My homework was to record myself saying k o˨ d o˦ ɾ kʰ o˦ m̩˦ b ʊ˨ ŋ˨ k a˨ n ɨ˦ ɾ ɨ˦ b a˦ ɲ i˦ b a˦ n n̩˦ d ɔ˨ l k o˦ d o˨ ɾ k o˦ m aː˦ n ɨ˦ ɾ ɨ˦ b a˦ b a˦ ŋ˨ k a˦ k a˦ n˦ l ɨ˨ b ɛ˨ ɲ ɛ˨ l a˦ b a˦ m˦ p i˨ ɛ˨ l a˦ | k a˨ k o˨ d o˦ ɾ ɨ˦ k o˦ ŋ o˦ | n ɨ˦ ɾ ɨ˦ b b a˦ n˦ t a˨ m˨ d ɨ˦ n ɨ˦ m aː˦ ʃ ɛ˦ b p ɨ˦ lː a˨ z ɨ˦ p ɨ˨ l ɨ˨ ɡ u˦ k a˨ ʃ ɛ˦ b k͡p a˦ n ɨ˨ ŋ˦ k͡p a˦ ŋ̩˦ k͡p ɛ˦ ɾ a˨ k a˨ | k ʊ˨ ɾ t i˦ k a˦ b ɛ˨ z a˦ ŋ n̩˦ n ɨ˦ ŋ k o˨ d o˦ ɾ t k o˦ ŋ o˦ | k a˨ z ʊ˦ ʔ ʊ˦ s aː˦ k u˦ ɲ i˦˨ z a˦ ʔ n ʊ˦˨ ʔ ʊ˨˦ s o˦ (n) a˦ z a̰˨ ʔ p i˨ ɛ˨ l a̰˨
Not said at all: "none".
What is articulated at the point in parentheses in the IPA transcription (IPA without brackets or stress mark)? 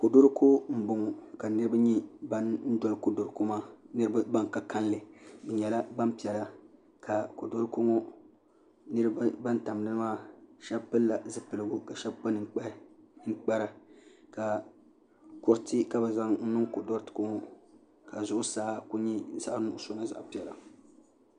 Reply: n